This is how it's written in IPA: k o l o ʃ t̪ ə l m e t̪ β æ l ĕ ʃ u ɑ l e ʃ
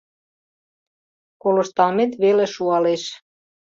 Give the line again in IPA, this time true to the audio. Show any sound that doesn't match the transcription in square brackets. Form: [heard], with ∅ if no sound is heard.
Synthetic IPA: k o l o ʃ t̪ [ɑ] l m e t̪ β [e] l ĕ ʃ u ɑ l e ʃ